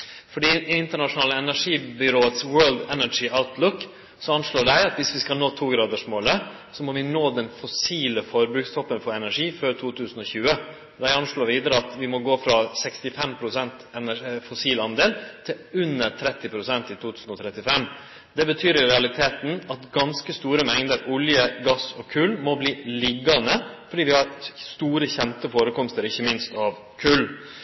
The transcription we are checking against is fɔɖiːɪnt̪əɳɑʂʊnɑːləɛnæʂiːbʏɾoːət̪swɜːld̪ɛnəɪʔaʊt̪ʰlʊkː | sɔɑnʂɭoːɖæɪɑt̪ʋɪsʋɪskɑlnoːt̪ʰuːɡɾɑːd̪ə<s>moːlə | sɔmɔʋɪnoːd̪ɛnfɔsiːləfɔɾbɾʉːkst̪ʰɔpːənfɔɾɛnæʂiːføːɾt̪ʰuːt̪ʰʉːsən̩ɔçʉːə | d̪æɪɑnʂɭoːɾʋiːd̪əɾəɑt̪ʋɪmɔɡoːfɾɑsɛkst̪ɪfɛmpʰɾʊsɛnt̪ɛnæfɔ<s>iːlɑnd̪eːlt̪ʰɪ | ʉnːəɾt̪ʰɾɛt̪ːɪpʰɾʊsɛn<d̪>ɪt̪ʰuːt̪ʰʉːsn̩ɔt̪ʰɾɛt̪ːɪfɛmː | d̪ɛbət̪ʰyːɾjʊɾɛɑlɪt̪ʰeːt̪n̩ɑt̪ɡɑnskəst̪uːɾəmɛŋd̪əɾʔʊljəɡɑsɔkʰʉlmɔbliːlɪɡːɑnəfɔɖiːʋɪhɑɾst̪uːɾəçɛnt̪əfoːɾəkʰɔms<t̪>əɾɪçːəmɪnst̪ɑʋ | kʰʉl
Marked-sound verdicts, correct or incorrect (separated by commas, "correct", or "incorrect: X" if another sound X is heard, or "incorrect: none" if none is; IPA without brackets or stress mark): incorrect: ʂ, correct, incorrect: t̪, correct